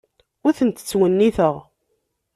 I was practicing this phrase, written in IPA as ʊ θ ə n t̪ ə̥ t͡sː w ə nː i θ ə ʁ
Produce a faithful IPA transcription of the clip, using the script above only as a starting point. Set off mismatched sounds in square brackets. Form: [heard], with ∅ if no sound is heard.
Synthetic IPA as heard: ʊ θ ə n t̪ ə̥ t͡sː w ə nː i θ ə ʁ

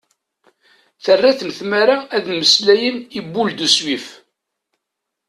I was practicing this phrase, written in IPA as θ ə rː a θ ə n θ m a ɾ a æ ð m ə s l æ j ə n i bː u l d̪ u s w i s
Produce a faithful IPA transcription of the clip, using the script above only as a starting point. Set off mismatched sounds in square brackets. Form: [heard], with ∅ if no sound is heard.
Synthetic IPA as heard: θ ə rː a θ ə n θ m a ɾ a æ ð m ə s l æ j ə n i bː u l d̪ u s w i [f]

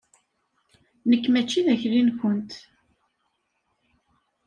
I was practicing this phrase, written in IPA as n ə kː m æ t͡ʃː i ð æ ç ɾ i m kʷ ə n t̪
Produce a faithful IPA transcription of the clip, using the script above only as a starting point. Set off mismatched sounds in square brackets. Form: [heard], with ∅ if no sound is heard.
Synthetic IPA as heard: n ə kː m æ t͡ʃː i ð æ ç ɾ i [n] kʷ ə n t̪

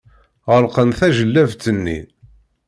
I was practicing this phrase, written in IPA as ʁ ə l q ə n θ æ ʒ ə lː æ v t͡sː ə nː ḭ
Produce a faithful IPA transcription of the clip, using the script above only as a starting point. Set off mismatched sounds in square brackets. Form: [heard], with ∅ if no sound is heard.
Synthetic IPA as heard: ʁ ə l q ə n θ æ ʒ ə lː æ v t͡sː ə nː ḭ

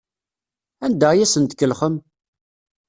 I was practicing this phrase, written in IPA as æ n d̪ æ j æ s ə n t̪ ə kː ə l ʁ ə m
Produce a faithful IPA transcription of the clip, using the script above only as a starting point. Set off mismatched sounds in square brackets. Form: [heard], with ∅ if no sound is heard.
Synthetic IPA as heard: æ n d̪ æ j æ s ə n t̪ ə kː ə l [χ] ə m

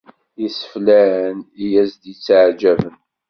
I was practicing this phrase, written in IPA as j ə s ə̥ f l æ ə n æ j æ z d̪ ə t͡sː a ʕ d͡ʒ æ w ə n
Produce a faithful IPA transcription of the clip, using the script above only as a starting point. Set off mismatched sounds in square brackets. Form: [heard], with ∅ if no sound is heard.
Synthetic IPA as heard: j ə s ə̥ f l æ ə n [i] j æ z d̪ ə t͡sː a ʕ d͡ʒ æ [v] ə n

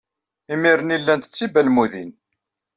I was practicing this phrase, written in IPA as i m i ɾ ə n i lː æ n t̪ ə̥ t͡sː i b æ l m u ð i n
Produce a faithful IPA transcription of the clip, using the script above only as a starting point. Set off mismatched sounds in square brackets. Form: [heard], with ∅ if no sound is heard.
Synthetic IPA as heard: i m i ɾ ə n i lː æ n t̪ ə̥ t͡sː i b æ l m u ð i n

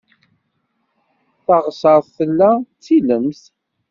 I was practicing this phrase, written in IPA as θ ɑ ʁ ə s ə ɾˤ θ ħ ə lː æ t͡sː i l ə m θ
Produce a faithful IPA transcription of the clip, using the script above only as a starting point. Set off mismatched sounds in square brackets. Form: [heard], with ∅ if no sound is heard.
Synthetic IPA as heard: θ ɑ ʁ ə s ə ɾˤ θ [θ] ə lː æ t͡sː i l ə m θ

